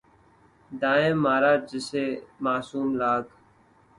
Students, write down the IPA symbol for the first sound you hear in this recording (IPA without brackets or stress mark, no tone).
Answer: d̪